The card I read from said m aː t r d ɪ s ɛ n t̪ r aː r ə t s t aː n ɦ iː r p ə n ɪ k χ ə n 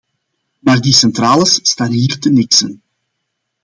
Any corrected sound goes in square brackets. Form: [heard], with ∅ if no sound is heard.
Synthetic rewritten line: m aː [∅] r d [i] s ɛ n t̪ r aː [l] ə [s] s t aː n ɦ iː r [t] ə n ɪ k [s] ə n